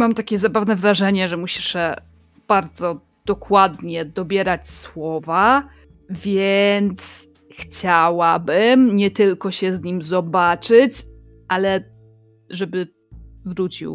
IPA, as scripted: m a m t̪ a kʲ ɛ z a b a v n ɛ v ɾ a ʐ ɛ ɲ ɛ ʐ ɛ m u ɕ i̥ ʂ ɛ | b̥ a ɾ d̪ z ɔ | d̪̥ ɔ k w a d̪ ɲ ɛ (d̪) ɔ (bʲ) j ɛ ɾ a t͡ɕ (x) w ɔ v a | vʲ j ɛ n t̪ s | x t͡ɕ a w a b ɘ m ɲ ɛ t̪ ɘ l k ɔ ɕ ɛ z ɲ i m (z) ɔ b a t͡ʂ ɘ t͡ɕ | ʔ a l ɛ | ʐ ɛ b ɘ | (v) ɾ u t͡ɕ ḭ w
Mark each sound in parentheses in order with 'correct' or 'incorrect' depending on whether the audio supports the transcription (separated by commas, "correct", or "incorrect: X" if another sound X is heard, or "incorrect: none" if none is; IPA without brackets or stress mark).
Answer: correct, correct, incorrect: s, correct, correct